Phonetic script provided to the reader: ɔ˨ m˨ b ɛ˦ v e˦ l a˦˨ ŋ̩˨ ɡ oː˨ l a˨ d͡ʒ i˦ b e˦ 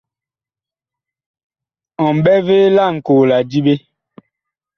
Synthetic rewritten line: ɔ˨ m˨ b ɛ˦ v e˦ l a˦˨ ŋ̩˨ k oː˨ l a˨ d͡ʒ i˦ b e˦